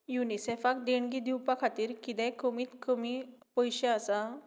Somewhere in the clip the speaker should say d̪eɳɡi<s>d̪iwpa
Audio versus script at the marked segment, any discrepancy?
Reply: yes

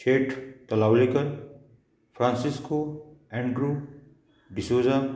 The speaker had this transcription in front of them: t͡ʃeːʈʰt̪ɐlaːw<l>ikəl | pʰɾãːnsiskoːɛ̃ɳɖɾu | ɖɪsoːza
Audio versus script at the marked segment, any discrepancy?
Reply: no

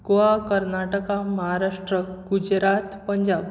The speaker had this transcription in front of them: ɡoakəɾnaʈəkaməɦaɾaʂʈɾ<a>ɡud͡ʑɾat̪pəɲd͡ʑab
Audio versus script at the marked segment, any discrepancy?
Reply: yes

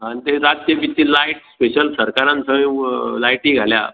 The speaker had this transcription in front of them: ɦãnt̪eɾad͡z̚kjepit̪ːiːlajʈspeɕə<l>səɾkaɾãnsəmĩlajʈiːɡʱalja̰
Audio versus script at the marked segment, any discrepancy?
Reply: no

